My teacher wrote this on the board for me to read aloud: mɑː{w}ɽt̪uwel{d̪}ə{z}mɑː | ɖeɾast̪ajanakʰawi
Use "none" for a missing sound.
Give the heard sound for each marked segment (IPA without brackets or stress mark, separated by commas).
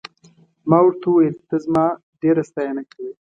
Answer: w, t̪, z